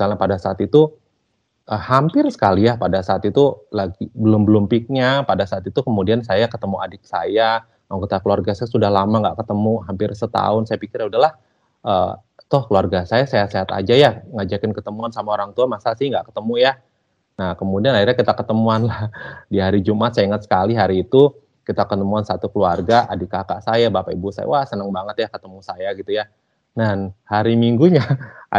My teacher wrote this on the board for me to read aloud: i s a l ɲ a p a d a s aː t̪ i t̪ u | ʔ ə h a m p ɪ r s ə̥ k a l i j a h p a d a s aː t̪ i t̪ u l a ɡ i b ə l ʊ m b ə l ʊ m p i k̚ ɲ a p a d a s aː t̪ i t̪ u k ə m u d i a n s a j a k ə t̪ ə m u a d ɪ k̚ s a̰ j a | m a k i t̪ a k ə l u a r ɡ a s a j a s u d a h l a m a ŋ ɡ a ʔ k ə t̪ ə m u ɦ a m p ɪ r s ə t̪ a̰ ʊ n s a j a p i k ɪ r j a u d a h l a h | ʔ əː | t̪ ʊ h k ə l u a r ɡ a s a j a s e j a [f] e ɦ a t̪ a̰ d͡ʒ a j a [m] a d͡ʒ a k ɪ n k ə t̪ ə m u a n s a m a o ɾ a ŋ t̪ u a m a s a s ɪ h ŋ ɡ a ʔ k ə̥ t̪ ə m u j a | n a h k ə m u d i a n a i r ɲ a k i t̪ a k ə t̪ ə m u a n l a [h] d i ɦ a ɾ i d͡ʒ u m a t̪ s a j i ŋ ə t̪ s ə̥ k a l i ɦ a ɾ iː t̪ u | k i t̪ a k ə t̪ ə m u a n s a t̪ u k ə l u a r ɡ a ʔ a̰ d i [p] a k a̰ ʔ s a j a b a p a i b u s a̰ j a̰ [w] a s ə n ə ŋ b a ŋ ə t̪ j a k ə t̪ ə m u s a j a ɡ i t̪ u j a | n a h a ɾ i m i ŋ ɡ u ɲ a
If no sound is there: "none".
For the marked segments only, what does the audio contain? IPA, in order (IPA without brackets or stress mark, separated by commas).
s, ŋ, h, k, w